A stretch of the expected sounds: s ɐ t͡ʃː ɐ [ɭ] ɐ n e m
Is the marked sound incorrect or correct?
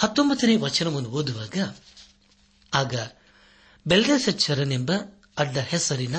incorrect